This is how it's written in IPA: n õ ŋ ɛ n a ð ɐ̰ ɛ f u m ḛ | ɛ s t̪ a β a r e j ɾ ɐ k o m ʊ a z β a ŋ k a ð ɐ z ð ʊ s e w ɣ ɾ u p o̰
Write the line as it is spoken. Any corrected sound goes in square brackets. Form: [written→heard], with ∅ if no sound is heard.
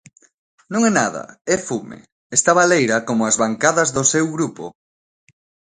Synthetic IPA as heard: n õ ŋ ɛ n a ð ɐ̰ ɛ f u m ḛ | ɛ s t̪ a β a [r→l] e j ɾ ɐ k o m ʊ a z β a ŋ k a ð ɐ z ð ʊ s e w ɣ ɾ u p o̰